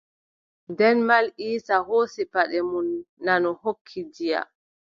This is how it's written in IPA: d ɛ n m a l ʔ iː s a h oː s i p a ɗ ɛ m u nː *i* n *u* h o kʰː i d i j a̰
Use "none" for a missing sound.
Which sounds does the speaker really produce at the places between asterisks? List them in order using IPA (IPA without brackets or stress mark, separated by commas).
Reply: a, ɔ